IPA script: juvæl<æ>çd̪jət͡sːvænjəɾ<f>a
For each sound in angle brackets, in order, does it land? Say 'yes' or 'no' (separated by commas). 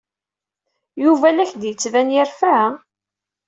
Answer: yes, yes